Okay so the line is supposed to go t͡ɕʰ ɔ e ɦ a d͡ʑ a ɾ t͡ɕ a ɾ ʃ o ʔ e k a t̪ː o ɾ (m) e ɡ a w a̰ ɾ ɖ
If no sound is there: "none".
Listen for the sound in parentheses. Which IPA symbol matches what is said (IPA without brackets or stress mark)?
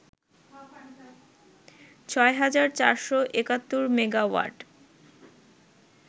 m